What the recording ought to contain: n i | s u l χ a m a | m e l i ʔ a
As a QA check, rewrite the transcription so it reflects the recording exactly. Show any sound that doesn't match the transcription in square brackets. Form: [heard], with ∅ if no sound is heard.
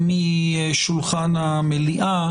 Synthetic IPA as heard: [m] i | [ʃ] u l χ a [n] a | m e l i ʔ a